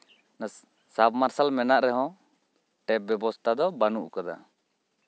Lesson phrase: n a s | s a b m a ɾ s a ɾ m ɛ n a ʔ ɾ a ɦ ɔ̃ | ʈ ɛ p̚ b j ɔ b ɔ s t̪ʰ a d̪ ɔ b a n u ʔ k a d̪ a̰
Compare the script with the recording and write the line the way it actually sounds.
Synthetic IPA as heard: n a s | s a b m a ɾ s a l m ɛ n a ʔ ɾ ɛ ɦ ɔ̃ | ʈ ɛ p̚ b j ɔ b ɔ s t̪ʰ a d̪ ɔ b a n u ʔ k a d̪ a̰